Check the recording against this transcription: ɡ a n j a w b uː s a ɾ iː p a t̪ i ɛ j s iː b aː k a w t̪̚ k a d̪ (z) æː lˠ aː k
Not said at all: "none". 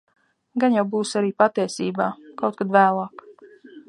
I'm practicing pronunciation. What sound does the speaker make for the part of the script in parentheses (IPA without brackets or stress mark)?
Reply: v